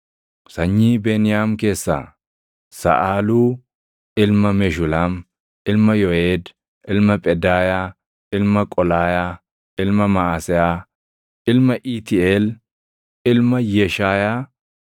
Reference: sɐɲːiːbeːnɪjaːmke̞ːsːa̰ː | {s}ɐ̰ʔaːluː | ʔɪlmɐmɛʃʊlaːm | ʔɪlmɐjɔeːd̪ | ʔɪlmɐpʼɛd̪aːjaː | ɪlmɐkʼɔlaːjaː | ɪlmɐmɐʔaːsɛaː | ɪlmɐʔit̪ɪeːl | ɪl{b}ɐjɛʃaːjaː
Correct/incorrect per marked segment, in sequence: correct, incorrect: m

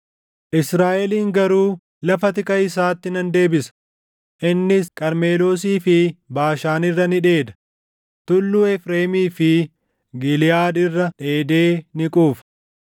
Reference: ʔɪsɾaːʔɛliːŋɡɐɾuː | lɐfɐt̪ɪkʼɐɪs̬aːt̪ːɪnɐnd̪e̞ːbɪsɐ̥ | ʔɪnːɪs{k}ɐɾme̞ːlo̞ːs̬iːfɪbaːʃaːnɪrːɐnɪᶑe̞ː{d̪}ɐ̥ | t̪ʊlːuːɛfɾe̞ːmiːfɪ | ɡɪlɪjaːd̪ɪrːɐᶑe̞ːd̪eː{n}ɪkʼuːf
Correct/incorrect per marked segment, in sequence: incorrect: kʼ, correct, correct

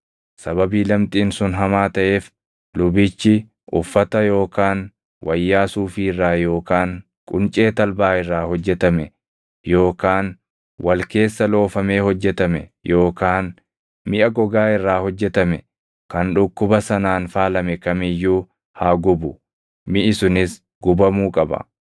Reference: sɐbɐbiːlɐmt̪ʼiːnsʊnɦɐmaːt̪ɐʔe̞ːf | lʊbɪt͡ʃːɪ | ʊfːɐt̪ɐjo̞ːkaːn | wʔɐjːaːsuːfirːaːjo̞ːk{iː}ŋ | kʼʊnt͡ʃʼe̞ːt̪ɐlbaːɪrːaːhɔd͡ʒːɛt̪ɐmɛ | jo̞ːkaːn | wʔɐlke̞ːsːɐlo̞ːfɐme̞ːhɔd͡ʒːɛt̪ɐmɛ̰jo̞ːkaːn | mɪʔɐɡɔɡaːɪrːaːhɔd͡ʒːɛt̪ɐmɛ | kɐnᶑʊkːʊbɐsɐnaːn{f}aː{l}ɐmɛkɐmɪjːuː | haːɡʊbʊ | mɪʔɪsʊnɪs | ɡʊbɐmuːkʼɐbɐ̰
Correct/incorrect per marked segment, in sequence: incorrect: aː, correct, correct

